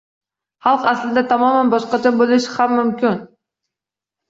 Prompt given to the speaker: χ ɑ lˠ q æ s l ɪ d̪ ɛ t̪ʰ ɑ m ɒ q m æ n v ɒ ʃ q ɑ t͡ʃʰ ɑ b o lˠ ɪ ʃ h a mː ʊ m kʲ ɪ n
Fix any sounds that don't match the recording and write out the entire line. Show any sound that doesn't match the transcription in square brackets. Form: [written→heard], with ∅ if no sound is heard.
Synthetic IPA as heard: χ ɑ lˠ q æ s l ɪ d̪ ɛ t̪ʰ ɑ m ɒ [q→∅] m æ n [v→b] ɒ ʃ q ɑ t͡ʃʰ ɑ b o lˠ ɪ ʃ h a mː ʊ m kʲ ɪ n